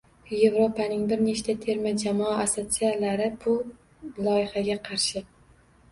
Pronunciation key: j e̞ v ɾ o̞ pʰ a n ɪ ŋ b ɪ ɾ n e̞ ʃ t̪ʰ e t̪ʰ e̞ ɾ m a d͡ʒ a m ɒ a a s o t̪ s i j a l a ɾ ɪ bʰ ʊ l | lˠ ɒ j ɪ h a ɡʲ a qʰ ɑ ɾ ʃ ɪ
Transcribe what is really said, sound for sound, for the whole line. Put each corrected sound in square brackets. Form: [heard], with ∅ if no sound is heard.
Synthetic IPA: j e̞ v ɾ o̞ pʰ a n ɪ ŋ b ɪ ɾ n e̞ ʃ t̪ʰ [a] t̪ʰ e̞ ɾ m a d͡ʒ a m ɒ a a s o t̪ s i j a l a ɾ ɪ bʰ ʊ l | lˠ ɒ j ɪ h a ɡʲ a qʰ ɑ ɾ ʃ ɪ